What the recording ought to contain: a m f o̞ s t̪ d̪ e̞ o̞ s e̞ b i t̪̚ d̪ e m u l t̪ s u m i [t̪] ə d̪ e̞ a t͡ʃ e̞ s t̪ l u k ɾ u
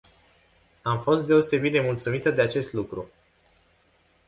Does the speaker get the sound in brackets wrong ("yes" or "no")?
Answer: no